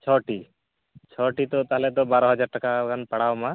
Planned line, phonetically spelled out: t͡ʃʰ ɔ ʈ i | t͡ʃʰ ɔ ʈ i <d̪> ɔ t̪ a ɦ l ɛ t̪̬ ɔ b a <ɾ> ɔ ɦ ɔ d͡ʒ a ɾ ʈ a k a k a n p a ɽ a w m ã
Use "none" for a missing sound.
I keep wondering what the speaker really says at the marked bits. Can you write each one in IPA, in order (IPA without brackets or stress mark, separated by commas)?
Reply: t̪, ɾ